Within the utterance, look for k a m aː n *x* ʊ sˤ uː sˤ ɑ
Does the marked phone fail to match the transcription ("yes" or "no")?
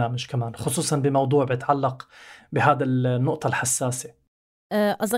no